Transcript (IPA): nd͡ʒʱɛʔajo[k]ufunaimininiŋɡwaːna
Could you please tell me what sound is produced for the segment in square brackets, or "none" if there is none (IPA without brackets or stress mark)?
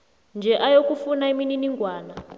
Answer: k